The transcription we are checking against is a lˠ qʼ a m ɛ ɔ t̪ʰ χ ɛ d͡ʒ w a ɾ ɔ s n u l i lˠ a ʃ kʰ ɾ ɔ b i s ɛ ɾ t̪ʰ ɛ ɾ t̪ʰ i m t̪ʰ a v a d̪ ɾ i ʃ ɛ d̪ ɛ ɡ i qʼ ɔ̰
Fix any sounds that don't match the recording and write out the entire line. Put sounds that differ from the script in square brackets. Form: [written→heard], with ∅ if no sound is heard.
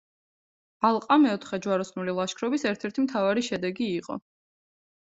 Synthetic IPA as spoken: a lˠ qʼ a m ɛ ɔ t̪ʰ χ ɛ d͡ʒ w a ɾ ɔ s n u l i lˠ a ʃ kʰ ɾ ɔ b i s ɛ ɾ t̪ʰ ɛ ɾ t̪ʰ i m t̪ʰ a v a [d̪→∅] ɾ i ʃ ɛ d̪ ɛ ɡ [i→iː] qʼ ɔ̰